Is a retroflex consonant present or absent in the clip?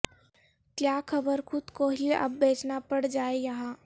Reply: present